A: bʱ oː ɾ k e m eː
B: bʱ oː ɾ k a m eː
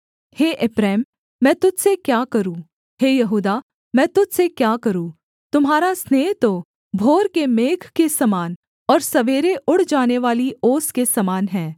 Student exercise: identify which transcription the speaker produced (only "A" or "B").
A